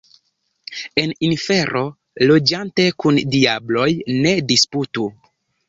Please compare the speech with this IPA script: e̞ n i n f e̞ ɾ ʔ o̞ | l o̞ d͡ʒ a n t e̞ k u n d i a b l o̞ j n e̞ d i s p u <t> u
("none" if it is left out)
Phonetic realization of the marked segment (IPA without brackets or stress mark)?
t